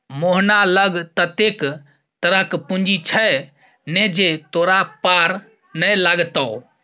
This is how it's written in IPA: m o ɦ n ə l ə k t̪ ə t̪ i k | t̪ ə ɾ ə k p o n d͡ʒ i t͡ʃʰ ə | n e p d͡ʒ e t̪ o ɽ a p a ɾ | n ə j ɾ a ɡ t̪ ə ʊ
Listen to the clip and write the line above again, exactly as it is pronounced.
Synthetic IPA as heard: m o ɦ n a l ə ɡ t̪ ə t̪ e k | t̪ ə ɾ ə k p u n d͡ʒ i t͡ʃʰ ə | n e d͡ʒ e t̪ o ɾ a p a ɾ | n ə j l a ɡ t̪ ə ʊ